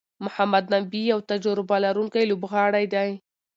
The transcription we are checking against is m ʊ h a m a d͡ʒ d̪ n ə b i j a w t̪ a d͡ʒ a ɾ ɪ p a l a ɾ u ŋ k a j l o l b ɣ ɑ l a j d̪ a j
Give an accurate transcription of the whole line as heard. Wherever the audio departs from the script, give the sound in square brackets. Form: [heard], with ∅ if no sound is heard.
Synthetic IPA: m ʊ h a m a [∅] d̪ n [a] b i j a w t̪ a d͡ʒ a ɾ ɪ [b] a l a ɾ u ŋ k a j l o [∅] b ɣ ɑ [ɽ] a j d̪ a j